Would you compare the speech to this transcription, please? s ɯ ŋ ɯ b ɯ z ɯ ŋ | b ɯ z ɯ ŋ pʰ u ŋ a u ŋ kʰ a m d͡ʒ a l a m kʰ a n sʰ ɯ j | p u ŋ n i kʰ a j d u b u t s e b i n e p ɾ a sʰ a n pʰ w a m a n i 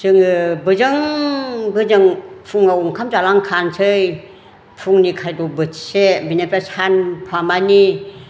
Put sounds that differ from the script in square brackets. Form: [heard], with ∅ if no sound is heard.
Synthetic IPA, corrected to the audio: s ɯ ŋ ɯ b ɯ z ɯ ŋ | b ɯ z ɯ ŋ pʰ u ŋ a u ŋ kʰ a m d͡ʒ a l a [ŋ] kʰ a n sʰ ɯ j | [pʰ] u ŋ n i kʰ a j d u b [ɯ] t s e b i n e p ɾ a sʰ a n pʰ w a m a n i